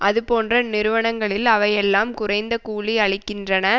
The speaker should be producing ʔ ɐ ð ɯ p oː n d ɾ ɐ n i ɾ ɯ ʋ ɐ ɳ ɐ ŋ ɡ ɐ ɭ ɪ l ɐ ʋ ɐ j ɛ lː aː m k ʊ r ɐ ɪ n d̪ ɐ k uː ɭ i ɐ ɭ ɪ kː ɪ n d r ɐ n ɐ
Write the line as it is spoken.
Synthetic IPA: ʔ ɐ ð ɯ p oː n d r ɐ n ɪ ɾ ɯ ʋ ɐ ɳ ɐ ŋ ɡ ɐ ɭ ɪ l ɐ ʋ ɐ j ɛ lː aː m k ʊ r ɐ ɪ n d̪ ɐ k uː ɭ i ɐ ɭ ɪ kː ɪ n d r ɐ n ɐ